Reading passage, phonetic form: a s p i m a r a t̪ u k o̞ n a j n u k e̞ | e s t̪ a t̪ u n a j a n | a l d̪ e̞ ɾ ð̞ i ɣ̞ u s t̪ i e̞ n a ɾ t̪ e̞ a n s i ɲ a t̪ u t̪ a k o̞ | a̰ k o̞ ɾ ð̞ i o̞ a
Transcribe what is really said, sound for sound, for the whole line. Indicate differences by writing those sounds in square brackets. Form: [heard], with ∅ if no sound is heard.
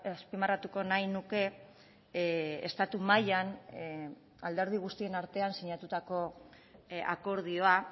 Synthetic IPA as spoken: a s p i m a r a t̪ u k o̞ n a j n u k e̞ | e s t̪ a t̪ u [m] a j a n | a l d̪ e̞ ɾ ð̞ i ɣ̞ u s t̪ i e̞ n a ɾ t̪ e̞ a n s i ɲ a t̪ u t̪ a k o̞ | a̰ k o̞ ɾ ð̞ i o̞ a